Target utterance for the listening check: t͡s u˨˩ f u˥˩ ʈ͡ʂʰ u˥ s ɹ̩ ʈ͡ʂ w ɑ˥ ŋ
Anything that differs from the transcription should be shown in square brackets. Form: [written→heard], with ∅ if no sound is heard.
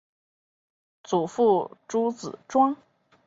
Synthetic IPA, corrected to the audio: t͡s u˨˩ f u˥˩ [ʈ͡ʂʰ→ʈ͡ʂ] u˥ [s→t͡s] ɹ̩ ʈ͡ʂ w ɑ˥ ŋ